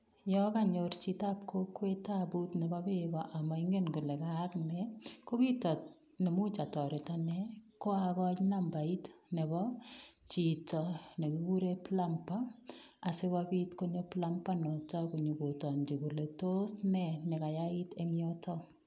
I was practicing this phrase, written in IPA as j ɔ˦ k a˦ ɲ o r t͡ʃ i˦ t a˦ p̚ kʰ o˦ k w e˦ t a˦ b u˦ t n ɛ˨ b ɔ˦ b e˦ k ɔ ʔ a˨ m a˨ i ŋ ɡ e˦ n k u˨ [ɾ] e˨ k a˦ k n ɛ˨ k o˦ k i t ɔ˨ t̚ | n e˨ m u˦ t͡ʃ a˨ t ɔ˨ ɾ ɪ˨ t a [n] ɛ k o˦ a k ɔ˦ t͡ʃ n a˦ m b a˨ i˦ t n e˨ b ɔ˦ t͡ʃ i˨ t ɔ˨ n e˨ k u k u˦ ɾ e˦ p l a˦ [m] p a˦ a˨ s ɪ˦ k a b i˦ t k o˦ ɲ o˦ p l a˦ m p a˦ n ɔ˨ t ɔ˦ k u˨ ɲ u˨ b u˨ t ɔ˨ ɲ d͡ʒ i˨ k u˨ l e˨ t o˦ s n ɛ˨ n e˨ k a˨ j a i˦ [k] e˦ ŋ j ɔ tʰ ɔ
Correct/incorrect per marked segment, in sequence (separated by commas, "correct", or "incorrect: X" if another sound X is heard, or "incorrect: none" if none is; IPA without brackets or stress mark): incorrect: l, correct, correct, incorrect: t